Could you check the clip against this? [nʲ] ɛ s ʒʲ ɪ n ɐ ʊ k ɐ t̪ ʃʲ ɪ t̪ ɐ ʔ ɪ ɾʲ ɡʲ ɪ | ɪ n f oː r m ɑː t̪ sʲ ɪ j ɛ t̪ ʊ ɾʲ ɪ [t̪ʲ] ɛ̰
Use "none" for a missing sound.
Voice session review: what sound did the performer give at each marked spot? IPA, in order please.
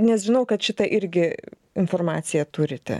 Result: nʲ, t̪ʲ

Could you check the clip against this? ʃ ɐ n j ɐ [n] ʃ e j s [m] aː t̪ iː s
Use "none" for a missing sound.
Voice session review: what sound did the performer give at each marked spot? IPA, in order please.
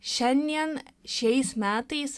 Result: n, m

